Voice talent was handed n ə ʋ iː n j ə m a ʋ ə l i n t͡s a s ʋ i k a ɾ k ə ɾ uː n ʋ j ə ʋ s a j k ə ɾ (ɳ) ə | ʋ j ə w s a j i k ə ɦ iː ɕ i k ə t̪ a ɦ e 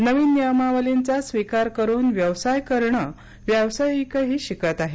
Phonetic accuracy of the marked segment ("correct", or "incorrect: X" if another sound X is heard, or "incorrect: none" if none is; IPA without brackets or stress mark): correct